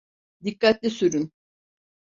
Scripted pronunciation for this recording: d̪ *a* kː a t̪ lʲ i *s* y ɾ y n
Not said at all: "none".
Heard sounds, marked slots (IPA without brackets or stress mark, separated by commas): i, s